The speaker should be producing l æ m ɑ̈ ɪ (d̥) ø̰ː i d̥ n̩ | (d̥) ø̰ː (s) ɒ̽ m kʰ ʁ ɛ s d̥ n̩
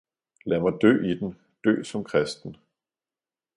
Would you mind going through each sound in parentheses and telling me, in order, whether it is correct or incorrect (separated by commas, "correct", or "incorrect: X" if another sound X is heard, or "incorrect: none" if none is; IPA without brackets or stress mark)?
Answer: correct, correct, correct